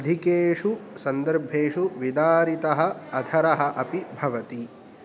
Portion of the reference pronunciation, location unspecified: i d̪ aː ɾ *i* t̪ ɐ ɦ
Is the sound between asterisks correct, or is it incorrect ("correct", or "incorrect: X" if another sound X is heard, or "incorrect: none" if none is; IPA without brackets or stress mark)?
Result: correct